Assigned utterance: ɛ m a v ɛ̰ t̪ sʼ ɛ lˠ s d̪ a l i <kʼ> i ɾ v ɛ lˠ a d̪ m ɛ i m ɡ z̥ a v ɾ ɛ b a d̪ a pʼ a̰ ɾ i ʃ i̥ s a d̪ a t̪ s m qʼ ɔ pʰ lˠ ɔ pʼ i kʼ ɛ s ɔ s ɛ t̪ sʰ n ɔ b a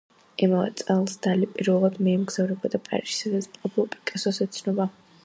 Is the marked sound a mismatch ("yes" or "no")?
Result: yes